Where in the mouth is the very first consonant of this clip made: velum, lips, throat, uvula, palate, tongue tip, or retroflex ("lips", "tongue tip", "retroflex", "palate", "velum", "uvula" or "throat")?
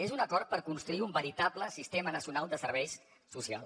tongue tip